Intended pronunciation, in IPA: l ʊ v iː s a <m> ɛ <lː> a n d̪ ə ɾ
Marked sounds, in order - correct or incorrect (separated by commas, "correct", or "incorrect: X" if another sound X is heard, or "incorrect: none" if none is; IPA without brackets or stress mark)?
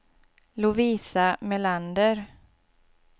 correct, incorrect: l